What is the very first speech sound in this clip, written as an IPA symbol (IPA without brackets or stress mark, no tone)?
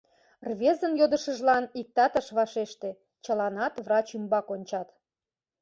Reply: r